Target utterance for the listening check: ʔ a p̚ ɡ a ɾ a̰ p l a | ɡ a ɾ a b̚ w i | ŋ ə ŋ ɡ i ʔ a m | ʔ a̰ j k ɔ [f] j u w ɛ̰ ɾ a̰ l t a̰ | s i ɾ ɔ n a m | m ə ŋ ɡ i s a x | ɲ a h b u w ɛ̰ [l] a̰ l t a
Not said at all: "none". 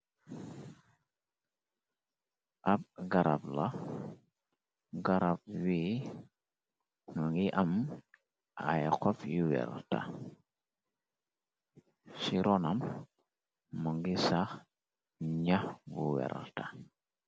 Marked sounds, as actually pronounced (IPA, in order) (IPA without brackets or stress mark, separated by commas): f, ɾ